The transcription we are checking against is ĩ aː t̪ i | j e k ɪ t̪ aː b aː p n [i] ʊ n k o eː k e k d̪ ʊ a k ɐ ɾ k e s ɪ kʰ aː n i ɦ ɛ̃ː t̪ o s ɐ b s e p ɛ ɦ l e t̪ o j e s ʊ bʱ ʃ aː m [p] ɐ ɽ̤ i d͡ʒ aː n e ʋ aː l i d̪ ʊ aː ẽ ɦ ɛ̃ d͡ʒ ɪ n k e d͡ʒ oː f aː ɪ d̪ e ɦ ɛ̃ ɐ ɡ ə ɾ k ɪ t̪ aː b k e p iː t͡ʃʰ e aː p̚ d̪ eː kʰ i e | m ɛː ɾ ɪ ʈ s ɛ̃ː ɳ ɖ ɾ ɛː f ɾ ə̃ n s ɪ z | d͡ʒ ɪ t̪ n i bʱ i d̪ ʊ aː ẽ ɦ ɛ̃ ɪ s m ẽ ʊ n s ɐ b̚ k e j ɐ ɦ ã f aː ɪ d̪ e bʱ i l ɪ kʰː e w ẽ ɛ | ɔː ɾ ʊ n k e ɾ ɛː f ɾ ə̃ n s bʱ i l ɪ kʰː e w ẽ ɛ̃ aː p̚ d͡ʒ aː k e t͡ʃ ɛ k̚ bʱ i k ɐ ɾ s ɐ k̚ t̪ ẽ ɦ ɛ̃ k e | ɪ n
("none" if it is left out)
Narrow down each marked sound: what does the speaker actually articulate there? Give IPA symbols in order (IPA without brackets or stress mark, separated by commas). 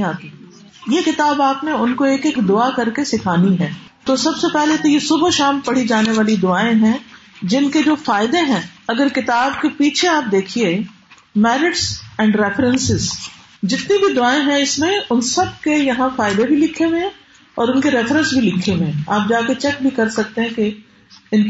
e, p